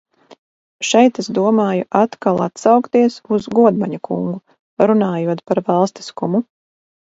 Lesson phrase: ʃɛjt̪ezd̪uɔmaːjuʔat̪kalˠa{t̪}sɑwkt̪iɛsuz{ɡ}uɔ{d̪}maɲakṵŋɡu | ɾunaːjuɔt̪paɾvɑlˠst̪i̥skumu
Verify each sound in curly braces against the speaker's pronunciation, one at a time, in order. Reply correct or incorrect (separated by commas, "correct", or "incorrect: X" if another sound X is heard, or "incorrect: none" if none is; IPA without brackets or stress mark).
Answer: correct, correct, correct